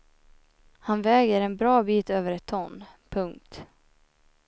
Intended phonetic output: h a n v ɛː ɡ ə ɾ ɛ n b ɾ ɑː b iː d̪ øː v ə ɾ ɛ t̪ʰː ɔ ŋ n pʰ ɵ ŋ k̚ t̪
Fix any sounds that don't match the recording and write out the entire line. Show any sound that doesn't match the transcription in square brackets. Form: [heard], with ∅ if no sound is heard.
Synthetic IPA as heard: h a n v ɛː ɡ ə ɾ ɛ n b ɾ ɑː b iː [t̪] øː v ə ɾ ɛ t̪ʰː ɔ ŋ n pʰ ɵ ŋ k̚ t̪